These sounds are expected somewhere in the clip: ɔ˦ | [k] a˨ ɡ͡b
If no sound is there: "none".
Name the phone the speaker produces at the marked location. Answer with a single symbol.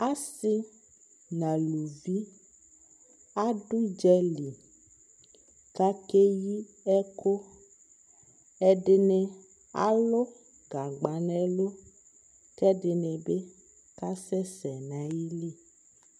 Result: ɡ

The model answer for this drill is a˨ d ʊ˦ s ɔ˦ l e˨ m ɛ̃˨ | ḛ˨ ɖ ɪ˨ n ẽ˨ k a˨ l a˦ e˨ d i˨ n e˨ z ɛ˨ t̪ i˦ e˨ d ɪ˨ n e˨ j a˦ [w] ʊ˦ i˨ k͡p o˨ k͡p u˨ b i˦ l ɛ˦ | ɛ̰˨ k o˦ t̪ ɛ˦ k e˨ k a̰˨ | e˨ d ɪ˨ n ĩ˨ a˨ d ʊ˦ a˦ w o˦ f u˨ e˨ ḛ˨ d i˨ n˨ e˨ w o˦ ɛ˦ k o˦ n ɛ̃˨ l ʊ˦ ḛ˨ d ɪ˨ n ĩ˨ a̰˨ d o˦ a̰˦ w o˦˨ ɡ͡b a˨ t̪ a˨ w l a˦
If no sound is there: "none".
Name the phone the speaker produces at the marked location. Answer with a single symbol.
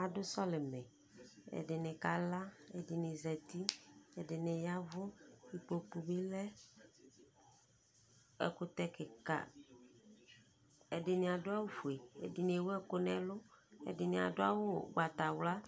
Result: v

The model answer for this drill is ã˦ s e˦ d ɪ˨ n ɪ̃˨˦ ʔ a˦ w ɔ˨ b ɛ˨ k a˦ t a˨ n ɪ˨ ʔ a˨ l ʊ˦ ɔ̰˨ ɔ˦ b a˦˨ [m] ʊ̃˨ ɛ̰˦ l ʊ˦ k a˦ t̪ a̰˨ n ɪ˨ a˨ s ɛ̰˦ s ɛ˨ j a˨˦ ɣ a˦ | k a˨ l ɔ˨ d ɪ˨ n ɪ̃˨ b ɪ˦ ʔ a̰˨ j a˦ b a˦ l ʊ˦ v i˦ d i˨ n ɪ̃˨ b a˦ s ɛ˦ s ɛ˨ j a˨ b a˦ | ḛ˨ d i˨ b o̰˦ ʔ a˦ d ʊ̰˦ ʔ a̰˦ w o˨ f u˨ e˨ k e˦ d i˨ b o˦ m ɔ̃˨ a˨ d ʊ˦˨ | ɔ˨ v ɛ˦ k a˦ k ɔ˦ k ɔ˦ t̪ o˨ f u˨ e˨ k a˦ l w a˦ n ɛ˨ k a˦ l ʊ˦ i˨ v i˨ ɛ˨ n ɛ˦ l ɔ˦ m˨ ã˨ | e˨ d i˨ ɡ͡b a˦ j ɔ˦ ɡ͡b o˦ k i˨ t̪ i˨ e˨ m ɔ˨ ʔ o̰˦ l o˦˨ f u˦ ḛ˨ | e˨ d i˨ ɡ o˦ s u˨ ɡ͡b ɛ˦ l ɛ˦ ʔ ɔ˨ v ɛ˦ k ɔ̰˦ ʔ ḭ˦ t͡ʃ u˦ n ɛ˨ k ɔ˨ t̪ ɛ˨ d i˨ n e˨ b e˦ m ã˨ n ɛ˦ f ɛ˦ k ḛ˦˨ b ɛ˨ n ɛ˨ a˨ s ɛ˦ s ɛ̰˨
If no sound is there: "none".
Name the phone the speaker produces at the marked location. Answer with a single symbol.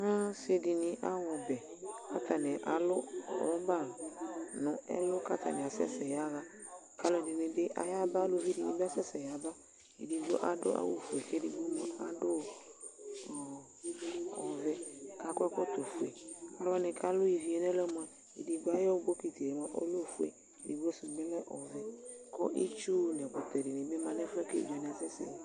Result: n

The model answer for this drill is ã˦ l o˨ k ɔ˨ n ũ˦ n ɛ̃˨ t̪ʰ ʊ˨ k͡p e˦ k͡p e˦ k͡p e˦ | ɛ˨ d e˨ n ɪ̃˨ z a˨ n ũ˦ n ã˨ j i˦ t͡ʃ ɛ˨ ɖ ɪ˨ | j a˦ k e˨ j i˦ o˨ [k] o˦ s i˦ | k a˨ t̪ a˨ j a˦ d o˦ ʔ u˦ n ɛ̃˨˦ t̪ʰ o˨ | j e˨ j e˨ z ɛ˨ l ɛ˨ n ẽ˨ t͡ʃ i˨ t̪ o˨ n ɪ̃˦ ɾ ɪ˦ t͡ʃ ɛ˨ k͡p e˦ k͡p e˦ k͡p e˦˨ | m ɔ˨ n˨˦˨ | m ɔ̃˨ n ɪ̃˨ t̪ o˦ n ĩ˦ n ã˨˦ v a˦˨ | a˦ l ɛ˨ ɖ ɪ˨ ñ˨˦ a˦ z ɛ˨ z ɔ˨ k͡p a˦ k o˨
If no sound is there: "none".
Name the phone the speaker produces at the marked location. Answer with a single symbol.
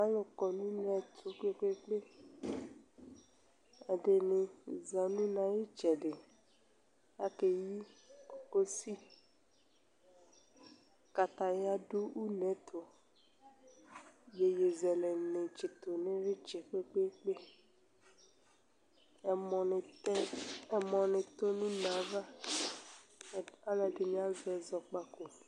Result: k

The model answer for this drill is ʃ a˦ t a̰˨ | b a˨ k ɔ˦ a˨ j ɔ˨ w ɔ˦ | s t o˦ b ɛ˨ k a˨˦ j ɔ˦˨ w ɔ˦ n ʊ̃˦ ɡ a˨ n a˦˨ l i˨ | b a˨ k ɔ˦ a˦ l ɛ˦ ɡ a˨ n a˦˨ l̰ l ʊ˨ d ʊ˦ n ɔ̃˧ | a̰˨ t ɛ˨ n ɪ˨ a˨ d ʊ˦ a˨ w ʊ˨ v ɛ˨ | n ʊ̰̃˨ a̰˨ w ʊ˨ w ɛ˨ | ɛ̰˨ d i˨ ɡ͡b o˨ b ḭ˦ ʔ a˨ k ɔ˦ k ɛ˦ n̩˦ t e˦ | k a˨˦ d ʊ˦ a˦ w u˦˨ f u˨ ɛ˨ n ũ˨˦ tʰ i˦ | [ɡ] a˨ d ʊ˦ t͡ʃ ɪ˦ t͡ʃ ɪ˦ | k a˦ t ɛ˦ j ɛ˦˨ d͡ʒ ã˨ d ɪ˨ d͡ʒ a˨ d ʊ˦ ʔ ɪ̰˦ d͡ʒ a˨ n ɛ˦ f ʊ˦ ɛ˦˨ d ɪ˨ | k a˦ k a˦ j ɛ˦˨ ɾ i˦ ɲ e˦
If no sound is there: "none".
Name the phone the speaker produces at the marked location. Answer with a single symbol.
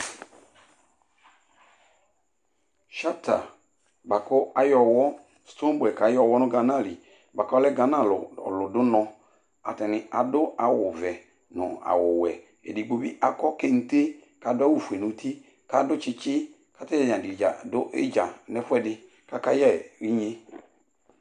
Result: k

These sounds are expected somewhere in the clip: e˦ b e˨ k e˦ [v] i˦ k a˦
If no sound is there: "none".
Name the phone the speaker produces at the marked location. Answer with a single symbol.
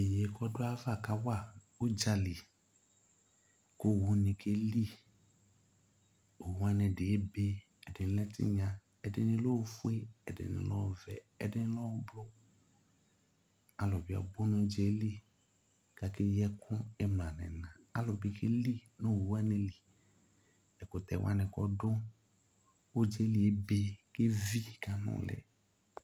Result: v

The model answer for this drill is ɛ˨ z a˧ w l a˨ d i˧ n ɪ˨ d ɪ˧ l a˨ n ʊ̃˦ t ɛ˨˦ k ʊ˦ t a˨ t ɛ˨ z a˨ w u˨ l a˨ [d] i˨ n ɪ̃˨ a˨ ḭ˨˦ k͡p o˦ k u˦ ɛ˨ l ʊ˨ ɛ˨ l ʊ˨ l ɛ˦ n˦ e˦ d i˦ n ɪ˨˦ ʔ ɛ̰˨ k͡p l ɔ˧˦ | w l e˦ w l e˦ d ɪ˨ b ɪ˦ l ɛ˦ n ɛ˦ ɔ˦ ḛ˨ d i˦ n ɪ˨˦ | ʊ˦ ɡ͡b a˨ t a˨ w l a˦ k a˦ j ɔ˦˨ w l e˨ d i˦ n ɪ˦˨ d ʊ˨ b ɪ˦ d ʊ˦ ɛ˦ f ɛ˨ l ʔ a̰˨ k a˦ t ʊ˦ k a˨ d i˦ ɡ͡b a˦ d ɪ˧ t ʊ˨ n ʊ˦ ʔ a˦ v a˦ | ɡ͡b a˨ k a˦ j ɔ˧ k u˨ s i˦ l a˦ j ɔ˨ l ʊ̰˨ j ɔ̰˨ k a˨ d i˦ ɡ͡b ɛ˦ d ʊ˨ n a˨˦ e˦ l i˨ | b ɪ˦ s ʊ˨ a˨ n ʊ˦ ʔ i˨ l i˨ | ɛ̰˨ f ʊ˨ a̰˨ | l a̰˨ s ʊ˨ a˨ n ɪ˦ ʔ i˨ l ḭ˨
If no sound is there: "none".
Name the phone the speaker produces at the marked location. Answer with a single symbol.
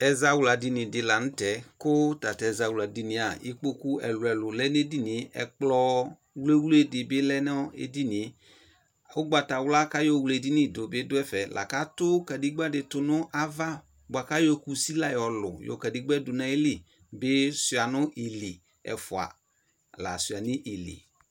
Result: d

